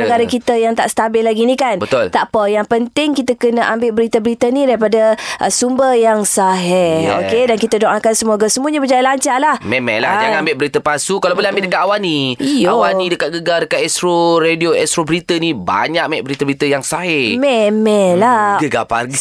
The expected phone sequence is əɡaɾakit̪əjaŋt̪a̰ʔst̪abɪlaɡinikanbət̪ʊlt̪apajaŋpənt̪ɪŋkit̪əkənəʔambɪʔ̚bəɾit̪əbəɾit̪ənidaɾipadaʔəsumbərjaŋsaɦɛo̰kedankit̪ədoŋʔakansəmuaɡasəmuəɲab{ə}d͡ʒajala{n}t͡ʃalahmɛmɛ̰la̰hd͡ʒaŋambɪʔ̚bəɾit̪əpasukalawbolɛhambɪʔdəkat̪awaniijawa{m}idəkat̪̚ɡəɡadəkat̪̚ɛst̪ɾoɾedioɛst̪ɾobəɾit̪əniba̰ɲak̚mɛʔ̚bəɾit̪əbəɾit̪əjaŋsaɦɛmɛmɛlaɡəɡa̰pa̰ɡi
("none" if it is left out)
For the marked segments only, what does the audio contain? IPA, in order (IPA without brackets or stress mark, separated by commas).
ə, ɲ, n